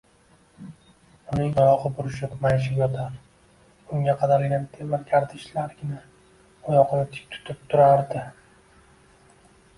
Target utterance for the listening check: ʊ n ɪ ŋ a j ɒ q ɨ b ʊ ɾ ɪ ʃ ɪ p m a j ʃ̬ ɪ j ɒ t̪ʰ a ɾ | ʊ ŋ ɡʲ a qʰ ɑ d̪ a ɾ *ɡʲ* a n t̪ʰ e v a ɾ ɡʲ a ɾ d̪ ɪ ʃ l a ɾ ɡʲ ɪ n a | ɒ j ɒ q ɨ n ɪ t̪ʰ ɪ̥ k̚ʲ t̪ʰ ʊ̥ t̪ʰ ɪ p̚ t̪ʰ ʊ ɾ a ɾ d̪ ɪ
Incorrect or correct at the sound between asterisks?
correct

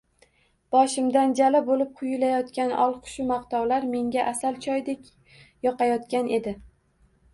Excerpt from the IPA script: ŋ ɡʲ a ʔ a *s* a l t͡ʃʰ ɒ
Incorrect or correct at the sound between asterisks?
correct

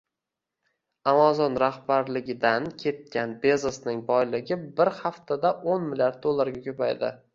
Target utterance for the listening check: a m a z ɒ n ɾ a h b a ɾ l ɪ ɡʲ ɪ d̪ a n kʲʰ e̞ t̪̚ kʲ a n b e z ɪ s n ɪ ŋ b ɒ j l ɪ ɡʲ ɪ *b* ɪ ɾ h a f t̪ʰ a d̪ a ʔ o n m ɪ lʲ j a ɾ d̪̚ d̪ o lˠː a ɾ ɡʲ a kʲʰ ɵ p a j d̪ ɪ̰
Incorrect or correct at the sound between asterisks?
correct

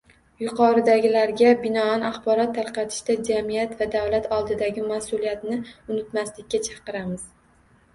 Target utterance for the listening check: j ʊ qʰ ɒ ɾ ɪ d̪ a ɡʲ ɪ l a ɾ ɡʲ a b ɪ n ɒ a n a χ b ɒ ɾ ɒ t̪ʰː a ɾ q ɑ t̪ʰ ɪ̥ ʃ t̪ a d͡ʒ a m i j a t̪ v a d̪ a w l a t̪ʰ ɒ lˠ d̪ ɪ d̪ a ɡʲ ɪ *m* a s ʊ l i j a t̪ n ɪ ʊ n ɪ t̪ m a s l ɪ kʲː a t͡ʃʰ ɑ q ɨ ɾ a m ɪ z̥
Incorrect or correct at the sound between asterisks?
correct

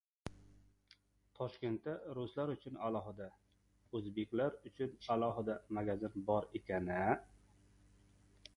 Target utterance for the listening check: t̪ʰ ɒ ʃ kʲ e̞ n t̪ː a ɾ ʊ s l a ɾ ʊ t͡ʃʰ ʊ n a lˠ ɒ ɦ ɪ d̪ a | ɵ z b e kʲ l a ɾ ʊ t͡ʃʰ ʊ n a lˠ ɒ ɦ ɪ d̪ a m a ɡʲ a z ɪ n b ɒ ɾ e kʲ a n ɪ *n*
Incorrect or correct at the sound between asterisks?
incorrect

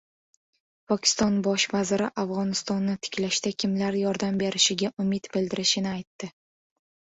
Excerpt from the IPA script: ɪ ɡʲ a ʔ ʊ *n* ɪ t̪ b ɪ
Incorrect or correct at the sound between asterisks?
incorrect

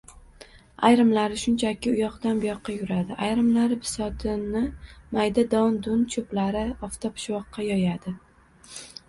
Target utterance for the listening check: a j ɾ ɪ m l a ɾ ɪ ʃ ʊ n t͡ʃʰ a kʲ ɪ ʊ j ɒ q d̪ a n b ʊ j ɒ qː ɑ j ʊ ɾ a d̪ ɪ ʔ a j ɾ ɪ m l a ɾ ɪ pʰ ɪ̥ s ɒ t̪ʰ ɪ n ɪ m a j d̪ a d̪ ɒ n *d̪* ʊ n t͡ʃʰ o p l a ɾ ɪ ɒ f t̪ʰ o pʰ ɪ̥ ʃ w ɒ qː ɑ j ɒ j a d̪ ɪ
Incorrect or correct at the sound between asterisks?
correct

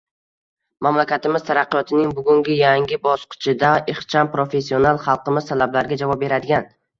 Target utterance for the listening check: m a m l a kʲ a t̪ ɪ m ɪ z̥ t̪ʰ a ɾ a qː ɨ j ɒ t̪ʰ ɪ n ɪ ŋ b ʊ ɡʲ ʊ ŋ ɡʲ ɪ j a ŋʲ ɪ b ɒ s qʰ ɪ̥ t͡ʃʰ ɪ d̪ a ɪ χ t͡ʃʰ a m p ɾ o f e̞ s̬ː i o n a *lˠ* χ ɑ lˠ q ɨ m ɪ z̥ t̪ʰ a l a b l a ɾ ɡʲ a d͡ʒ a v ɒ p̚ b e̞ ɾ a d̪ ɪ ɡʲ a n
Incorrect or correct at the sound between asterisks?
correct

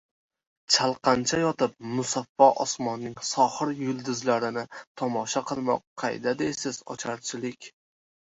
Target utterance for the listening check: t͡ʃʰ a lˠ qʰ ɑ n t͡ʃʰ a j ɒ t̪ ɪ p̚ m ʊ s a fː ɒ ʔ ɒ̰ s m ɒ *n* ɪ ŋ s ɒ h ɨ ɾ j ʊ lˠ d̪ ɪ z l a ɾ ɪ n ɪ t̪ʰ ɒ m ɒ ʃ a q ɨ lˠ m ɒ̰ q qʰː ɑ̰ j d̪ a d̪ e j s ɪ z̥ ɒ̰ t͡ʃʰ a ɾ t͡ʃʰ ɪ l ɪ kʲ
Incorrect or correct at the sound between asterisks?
incorrect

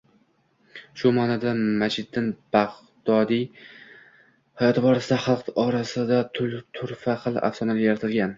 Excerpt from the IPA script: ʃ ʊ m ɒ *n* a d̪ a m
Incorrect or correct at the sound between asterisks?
correct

